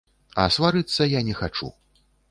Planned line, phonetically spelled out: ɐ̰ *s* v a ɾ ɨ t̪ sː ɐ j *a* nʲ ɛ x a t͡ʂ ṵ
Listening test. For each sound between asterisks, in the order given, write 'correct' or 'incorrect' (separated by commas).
correct, correct